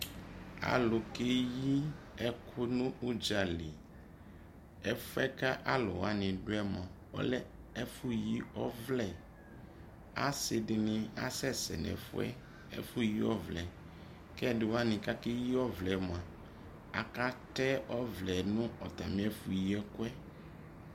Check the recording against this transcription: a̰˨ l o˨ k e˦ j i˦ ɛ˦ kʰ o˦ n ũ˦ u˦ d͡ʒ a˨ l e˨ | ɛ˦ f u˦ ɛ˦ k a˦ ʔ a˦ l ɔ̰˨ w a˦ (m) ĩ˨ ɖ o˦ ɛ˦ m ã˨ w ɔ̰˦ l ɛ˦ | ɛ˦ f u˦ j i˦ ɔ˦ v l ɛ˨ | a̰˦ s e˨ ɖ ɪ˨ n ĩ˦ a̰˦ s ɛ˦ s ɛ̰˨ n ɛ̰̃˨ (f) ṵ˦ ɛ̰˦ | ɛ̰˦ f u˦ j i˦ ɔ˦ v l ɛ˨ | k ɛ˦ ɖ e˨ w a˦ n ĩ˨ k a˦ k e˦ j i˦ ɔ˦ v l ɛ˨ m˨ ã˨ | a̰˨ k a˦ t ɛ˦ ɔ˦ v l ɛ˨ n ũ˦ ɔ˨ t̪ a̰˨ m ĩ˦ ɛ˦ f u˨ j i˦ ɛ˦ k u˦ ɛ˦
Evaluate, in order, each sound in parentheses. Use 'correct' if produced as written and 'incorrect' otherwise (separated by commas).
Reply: incorrect, correct